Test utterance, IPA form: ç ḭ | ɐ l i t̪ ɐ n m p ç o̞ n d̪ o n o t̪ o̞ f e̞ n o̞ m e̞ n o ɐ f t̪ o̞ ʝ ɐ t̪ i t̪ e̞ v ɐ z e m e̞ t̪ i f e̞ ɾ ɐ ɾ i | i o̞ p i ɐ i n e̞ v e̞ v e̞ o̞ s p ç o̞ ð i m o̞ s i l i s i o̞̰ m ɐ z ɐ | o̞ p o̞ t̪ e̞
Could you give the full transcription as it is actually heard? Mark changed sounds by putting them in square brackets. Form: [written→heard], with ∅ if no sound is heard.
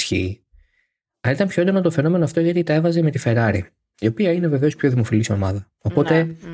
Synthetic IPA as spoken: ç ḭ | ɐ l i t̪ ɐ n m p ç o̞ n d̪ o n o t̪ o̞ f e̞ n o̞ m e̞ n o ɐ f t̪ o̞ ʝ ɐ t̪ i t̪ e̞ v ɐ z e m e̞ t̪ i f e̞ ɾ ɐ ɾ i | i o̞ p i ɐ i n e̞ v e̞ v e̞ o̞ s p ç o̞ ð i m o̞ [s→f] i l i s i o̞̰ m ɐ [z→ð] ɐ | o̞ p o̞ t̪ e̞